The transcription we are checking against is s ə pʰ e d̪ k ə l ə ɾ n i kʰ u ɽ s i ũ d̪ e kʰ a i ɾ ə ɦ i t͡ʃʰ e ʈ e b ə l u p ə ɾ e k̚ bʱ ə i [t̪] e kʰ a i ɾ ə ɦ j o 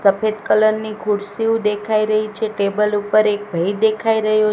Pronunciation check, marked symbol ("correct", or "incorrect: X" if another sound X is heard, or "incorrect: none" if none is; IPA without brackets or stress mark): incorrect: d̪